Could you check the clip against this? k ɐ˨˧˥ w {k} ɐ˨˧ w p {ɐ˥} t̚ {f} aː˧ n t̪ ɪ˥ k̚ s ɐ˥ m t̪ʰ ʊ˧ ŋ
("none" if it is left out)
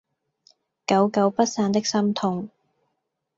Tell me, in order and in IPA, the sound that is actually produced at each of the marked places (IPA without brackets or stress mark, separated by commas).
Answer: k, ɐ˥, s